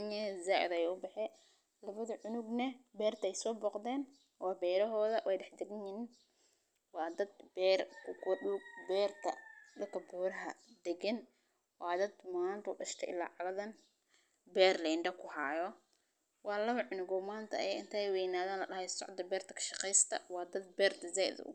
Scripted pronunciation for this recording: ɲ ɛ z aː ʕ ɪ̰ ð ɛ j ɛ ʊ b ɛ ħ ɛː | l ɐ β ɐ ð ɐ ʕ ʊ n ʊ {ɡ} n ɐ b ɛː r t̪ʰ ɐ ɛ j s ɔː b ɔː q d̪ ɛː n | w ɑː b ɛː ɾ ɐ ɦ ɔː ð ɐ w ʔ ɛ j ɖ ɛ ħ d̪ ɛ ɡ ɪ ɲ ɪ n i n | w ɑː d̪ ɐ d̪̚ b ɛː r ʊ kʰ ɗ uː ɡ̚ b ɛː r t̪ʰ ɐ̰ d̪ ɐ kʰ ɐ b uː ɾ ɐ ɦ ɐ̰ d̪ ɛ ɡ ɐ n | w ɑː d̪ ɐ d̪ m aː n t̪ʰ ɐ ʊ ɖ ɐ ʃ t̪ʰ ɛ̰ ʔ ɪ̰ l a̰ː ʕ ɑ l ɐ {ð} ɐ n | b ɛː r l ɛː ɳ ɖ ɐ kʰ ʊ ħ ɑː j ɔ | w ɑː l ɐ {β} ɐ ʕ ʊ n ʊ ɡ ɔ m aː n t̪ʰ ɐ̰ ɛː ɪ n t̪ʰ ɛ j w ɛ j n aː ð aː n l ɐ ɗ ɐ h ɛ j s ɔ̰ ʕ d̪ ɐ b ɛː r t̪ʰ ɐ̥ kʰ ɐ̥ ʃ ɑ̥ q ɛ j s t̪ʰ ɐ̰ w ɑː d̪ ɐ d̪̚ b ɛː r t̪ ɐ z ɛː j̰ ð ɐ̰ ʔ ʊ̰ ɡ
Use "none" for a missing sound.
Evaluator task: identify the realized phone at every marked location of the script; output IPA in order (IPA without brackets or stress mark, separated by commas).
ɡ, ð, β